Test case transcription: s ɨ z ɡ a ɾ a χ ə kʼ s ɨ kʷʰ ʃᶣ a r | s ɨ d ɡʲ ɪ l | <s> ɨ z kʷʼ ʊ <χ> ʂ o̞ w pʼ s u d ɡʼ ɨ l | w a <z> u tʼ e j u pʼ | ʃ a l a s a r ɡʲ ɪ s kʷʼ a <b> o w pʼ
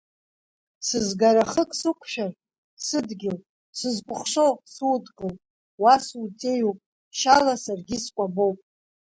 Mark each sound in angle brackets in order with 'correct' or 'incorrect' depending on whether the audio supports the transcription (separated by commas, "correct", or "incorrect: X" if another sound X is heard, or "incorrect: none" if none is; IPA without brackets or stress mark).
correct, correct, incorrect: s, correct